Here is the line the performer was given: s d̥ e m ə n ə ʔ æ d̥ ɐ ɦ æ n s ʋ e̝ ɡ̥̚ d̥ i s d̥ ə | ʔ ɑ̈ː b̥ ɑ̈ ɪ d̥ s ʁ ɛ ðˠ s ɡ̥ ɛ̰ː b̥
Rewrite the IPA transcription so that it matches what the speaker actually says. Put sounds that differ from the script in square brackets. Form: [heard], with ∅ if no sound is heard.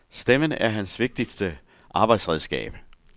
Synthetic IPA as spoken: s d̥ e m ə n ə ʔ æ [∅] ɐ ɦ æ n s ʋ e̝ ɡ̥̚ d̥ i s d̥ ə | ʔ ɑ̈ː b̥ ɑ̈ ɪ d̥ s ʁ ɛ ðˠ s ɡ̥ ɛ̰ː b̥

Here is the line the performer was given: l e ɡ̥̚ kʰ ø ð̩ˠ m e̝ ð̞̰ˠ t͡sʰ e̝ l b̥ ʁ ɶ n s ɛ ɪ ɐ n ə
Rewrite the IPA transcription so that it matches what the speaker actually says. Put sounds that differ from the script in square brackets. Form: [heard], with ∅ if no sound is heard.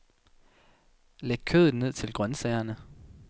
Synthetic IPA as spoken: l e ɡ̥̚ kʰ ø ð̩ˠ [n] e̝ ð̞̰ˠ t͡sʰ e̝ l [ɡ̥] ʁ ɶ n s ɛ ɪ ɐ n ə

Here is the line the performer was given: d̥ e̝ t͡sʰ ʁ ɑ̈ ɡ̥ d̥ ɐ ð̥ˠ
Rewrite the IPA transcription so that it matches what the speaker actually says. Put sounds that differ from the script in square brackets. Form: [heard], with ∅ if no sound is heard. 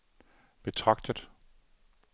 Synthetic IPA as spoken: [b̥] e̝ t͡sʰ ʁ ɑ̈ ɡ̥ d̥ [ə] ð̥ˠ

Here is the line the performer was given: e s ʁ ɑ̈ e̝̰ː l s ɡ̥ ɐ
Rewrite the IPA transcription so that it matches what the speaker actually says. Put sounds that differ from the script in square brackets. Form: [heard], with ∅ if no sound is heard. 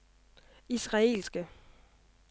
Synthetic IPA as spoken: [i] s ʁ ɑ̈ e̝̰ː l s ɡ̥ [ə]

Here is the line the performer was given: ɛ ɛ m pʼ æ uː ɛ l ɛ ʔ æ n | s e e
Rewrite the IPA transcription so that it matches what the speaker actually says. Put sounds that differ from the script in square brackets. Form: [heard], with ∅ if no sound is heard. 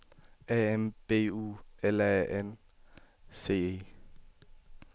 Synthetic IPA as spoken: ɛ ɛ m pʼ [e] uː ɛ l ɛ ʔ [ɛ] n | s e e

